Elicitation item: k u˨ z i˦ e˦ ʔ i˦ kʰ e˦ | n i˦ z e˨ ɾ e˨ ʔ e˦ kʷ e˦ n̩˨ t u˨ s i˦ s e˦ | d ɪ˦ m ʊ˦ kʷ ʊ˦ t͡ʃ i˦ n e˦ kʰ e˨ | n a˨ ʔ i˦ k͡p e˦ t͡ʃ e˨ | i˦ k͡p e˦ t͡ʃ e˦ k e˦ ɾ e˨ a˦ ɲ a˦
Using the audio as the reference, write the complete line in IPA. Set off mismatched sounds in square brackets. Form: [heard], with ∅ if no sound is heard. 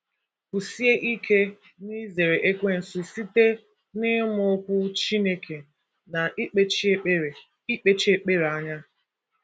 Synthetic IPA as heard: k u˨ [s] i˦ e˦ ʔ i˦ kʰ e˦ | n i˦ z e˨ ɾ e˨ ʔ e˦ kʷ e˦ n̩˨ [s] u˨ s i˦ [t] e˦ | [n] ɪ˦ m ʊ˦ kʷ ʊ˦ t͡ʃ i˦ n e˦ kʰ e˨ | n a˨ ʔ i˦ k͡p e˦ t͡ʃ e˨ | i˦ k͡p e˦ t͡ʃ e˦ [k͡p] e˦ ɾ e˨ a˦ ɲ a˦